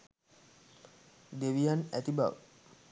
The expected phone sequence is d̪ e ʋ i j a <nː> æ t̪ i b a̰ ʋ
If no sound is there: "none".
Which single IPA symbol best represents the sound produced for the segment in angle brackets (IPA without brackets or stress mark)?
n